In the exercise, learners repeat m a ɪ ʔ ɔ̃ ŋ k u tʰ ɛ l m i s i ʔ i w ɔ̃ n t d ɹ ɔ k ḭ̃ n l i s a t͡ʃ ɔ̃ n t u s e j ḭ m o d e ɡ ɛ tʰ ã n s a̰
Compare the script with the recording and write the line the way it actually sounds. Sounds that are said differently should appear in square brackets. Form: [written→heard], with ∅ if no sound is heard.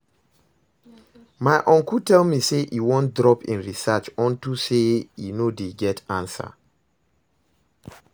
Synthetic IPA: m a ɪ ʔ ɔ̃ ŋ k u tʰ ɛ l m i s [i→e] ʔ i w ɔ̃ n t d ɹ ɔ [k→p] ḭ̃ n [l→ɹ] i s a t͡ʃ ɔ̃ n t u s e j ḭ [m→n] o d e ɡ ɛ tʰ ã n s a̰